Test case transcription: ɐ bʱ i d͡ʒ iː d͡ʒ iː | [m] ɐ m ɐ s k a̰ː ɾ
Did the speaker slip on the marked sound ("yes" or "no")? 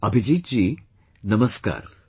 yes